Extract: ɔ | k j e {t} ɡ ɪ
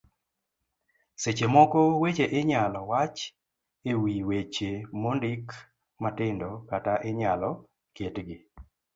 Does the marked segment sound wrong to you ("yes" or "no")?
no